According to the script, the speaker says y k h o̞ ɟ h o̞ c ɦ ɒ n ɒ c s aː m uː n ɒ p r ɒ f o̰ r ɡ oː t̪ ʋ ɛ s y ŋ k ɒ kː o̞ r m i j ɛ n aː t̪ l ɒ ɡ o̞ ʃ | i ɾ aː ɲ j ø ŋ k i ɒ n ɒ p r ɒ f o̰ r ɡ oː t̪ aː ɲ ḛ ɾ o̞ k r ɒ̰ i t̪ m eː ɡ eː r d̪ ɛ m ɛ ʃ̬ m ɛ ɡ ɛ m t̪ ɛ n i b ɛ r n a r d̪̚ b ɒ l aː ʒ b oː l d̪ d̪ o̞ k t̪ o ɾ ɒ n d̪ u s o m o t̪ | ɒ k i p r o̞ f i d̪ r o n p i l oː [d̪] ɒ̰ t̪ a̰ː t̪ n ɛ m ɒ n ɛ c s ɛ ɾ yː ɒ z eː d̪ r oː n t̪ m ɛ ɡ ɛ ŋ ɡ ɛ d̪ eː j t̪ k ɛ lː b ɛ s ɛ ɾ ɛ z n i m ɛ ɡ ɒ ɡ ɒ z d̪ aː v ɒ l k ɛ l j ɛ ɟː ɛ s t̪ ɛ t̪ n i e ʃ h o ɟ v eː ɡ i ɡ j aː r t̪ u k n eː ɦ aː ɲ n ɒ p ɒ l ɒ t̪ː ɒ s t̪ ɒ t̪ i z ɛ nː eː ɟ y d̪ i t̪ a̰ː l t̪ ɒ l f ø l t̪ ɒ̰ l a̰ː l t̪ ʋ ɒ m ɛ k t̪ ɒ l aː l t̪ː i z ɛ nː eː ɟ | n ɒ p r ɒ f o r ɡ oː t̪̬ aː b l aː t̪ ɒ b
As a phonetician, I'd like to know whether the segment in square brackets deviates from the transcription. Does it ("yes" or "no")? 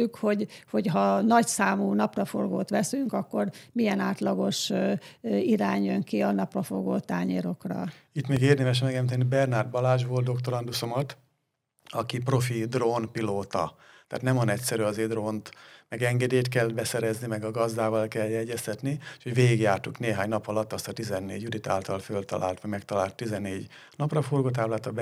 yes